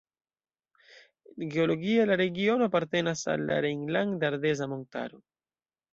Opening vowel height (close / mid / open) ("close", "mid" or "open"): mid